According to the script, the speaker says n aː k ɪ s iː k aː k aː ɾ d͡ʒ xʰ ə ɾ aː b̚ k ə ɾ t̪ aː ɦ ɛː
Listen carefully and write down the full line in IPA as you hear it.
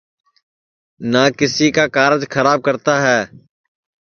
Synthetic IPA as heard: n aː k ɪ s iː k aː k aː ɾ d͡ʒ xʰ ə ɾ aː b̚ k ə ɾ t̪ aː ɦ ɛː